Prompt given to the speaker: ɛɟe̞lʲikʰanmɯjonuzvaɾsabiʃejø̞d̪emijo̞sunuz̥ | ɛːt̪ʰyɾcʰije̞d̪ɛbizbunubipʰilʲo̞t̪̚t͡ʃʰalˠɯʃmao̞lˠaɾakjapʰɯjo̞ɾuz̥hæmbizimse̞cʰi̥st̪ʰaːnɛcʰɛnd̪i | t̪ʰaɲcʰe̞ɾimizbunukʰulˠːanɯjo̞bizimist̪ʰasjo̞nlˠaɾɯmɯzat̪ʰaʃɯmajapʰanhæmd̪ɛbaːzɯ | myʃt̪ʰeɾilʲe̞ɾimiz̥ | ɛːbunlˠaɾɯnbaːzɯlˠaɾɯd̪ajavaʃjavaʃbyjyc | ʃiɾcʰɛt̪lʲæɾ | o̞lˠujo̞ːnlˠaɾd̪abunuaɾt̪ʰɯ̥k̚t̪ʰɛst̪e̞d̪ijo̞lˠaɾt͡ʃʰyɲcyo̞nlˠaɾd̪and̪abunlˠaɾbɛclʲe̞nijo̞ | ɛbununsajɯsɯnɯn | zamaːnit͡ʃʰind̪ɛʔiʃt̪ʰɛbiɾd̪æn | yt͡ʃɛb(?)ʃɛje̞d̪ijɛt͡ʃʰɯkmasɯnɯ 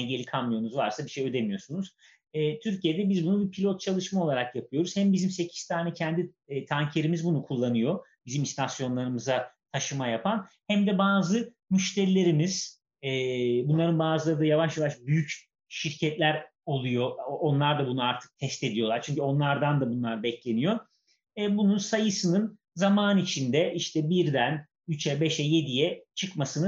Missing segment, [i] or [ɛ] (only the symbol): ɛ